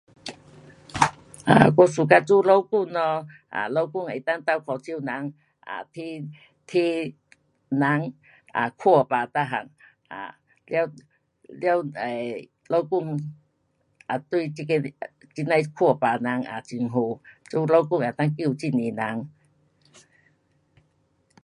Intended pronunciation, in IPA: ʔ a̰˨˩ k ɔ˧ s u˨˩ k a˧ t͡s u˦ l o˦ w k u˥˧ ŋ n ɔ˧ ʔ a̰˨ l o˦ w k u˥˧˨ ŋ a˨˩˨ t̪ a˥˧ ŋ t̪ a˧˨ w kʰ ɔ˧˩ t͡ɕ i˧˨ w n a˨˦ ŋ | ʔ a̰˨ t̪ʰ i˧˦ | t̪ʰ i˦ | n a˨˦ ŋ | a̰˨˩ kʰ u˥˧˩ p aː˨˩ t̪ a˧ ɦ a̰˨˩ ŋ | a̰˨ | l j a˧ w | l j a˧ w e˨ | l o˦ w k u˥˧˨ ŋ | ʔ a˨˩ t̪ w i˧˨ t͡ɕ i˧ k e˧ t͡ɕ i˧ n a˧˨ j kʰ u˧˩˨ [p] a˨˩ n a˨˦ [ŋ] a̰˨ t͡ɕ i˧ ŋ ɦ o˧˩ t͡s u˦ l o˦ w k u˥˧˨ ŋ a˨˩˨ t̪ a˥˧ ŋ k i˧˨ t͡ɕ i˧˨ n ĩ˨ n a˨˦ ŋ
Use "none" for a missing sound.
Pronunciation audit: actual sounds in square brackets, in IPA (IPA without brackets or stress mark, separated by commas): p, ŋ